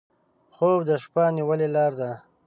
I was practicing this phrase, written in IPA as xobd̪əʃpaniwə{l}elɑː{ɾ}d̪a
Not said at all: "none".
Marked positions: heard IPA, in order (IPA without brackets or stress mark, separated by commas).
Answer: l, ɾ